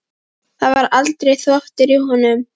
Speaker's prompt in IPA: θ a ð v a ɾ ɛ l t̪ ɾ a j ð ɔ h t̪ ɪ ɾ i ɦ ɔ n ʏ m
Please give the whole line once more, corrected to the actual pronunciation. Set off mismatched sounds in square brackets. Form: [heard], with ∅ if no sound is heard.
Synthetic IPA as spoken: θ a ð v a ɾ [a] l t̪ ɾ [e] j [θ] ɔ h t̪ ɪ ɾ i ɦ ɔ n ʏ m